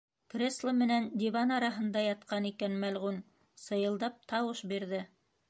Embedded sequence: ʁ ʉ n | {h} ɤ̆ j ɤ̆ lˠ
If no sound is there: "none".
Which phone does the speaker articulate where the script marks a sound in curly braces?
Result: s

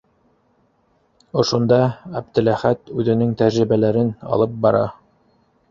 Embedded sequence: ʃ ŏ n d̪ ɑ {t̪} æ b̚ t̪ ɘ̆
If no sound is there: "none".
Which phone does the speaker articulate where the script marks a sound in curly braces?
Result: none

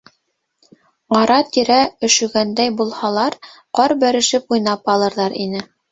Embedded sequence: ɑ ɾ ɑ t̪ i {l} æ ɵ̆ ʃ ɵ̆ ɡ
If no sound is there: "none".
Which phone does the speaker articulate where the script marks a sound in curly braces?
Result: ɾ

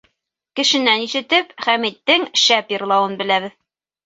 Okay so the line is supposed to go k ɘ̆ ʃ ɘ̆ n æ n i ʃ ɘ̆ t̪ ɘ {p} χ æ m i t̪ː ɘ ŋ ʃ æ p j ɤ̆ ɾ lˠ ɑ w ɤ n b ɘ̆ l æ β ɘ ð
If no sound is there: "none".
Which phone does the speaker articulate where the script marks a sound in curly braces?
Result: p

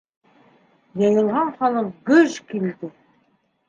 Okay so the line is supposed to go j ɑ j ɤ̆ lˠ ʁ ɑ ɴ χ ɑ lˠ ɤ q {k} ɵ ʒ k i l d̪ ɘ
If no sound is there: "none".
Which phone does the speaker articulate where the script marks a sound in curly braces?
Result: ɡ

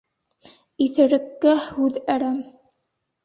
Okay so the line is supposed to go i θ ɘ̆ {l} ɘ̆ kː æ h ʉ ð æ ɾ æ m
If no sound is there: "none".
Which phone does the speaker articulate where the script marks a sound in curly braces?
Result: ɾ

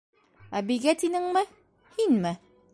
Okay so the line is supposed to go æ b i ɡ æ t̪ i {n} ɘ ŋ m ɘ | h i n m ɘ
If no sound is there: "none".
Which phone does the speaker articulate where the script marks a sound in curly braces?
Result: n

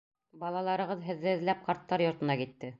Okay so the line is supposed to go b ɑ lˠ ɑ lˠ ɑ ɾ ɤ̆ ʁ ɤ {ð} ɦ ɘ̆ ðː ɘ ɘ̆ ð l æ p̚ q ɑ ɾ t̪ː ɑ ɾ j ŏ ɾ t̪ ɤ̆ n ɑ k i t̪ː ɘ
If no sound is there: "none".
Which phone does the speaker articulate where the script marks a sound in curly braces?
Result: ð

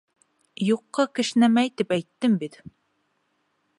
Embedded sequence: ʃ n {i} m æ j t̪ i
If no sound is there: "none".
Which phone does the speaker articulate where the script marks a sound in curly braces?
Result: æ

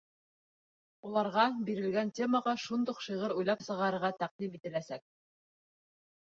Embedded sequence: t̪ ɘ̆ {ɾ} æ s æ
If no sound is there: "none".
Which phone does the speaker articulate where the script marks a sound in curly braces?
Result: l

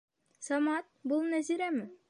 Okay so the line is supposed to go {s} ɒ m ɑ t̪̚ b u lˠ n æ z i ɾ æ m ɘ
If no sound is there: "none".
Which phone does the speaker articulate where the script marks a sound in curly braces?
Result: s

